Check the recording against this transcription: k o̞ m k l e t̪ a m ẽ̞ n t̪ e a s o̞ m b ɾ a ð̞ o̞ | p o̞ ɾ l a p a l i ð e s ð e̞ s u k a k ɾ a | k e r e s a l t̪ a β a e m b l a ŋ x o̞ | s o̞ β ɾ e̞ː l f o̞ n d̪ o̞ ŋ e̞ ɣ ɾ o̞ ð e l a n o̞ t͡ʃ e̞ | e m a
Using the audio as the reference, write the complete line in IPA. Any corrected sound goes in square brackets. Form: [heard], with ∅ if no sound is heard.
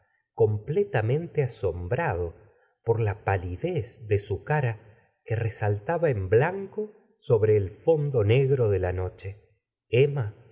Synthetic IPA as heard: k o̞ m [p] l e t̪ a m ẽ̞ n t̪ e a s o̞ m b ɾ a ð̞ o̞ | p o̞ ɾ l a p a l i ð e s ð e̞ s u k a [∅] ɾ a | k e r e s a l t̪ a β a e m b l a ŋ [k] o̞ | s o̞ β ɾ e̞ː l f o̞ n d̪ o̞ [n] e̞ ɣ ɾ o̞ ð e l a n o̞ t͡ʃ e̞ | e m a